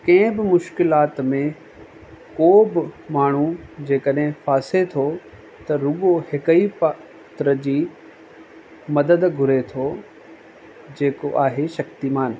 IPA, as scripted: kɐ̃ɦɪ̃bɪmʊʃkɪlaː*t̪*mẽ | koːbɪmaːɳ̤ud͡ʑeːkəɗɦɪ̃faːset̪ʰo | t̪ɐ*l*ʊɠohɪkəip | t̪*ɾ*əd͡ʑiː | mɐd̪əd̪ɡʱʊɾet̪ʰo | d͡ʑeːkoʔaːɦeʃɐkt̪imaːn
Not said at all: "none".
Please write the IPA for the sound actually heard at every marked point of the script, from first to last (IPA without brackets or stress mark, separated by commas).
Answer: t̪, ɾ, ɾ